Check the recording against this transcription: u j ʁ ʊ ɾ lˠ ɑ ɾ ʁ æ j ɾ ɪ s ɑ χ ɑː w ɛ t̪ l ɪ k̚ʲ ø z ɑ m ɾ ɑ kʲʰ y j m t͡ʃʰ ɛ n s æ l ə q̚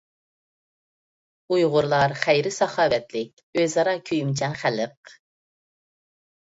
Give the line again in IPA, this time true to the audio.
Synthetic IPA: u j ʁ ʊ ɾ lˠ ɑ ɾ χ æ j ɾ ɪ s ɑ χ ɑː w ɛ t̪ l ɪ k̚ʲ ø z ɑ ɾ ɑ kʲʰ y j m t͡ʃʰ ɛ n χ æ l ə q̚